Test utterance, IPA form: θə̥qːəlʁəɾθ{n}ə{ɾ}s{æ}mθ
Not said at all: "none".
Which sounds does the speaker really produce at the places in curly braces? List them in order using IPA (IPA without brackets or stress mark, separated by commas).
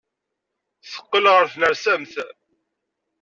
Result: n, ɾ, æ